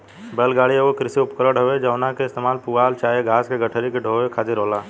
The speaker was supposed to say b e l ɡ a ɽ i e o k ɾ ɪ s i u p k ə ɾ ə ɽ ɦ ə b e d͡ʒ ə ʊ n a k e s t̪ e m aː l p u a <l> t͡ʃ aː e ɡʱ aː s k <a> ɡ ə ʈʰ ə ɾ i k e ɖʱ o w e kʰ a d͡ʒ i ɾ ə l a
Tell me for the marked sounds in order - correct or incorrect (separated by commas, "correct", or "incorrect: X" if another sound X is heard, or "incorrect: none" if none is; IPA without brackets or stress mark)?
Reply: correct, incorrect: e